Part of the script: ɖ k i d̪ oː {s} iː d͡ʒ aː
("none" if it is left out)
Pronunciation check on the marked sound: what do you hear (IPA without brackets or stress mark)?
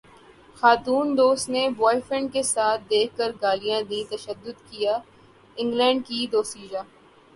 s